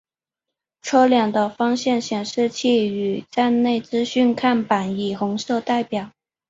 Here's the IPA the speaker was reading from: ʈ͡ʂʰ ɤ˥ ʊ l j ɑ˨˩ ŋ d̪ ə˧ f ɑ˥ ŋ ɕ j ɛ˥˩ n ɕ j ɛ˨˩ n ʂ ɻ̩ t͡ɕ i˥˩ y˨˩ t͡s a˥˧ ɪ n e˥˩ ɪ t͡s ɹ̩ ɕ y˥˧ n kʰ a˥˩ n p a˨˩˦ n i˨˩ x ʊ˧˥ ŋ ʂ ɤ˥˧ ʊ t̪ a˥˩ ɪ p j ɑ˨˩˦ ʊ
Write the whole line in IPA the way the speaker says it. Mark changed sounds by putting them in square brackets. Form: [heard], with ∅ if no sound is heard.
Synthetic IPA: ʈ͡ʂʰ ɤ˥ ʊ l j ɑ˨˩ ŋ d̪ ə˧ f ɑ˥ ŋ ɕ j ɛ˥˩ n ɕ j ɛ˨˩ n ʂ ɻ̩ [t͡ɕʰ] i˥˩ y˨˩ t͡s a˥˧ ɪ n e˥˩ ɪ t͡s ɹ̩ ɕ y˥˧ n kʰ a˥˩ n p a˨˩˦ n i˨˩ x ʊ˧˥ ŋ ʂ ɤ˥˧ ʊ t̪ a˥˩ ɪ p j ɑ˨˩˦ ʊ